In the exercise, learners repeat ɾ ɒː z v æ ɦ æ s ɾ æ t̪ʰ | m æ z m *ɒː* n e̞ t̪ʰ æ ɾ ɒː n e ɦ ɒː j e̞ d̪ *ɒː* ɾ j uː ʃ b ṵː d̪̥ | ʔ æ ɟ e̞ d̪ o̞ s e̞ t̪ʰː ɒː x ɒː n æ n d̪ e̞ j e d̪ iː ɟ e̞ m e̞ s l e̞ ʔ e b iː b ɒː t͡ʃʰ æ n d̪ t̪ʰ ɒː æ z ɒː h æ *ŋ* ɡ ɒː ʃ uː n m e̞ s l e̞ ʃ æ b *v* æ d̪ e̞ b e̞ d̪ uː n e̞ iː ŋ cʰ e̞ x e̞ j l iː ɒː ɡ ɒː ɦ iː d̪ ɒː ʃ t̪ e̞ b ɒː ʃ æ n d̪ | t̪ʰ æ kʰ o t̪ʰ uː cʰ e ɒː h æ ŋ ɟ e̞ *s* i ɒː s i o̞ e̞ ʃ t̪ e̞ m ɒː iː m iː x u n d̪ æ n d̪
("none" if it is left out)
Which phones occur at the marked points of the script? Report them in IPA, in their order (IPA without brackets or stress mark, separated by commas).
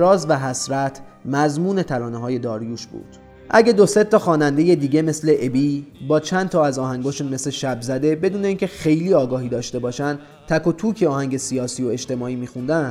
uː, ɒː, ŋ, z, s